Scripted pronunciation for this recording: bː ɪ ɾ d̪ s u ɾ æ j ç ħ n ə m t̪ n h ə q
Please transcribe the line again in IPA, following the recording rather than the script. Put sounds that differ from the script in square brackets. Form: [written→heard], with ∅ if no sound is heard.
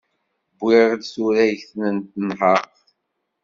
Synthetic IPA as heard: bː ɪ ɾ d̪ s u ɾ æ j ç [ħ→θ] n ə [m→n] t̪ n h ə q